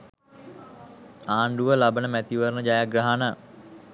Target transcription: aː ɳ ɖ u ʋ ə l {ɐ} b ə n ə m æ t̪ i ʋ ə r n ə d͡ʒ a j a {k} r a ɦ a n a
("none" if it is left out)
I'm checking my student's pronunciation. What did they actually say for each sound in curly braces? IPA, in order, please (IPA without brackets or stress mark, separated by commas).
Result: a, ɡ